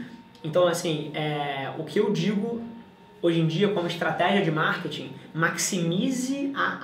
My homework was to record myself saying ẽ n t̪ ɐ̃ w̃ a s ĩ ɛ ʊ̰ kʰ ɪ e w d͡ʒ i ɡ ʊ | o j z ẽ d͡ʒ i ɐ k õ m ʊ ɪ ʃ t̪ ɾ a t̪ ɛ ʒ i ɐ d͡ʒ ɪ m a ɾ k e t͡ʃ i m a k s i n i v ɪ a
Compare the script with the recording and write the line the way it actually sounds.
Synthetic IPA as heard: ẽ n t̪ ɐ̃ w̃ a s ĩ ɛ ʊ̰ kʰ ɪ e w d͡ʒ i ɡ ʊ | o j ʒ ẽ d͡ʒ i ɐ k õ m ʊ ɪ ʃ t̪ ɾ a t̪ ɛ ʒ i ɐ d͡ʒ ɪ m a ɾ k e t͡ʃ ĩ m a k s i m i z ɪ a